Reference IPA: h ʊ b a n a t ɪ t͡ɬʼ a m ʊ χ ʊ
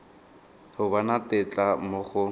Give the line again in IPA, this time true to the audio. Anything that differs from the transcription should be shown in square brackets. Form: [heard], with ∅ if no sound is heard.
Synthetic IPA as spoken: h ʊ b a n a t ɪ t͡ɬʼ a m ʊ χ ʊ